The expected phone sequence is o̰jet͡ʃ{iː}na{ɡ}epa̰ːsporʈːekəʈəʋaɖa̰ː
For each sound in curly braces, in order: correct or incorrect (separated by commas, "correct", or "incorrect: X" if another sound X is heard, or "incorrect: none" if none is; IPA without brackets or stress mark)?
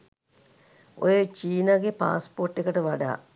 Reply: correct, correct